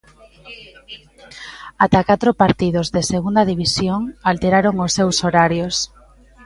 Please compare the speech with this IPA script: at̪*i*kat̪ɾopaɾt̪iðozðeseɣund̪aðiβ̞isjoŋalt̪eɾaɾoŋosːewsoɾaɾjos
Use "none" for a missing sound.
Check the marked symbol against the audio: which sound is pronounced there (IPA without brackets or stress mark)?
a